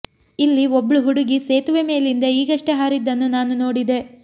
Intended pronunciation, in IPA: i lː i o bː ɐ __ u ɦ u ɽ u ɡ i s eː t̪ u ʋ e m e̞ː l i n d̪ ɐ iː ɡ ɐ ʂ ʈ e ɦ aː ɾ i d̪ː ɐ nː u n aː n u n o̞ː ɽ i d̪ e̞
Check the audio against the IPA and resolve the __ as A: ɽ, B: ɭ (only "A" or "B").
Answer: B